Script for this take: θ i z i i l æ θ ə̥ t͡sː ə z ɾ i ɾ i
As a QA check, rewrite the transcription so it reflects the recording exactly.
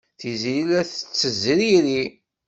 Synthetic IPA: θ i z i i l æ θ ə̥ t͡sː ə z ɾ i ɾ i